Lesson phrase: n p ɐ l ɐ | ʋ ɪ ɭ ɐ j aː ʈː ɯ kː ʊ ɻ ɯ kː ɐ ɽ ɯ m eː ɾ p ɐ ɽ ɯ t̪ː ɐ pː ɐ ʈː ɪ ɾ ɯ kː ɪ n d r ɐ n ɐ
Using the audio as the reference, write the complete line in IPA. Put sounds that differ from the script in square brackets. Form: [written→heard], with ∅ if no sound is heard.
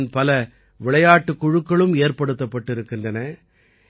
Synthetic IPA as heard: n p ɐ l ɐ | ʋ ɪ ɭ ɐ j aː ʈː ɯ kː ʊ ɻ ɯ kː ɐ [ɽ→ɭ] ɯ m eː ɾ p ɐ ɽ ɯ t̪ː ɐ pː ɐ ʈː ɪ ɾ ɯ kː ɪ n d r ɐ n ɐ